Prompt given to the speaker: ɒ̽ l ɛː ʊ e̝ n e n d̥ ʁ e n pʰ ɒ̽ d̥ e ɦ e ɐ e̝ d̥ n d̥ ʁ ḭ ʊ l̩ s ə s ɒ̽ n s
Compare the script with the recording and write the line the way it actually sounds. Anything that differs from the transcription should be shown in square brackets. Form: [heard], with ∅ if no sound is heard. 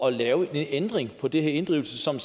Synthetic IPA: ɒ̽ l ɛː ʊ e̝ n e n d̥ ʁ e [ŋ] pʰ ɒ̽ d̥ e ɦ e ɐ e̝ [∅] n d̥ ʁ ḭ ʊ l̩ s ə s ɒ̽ [m] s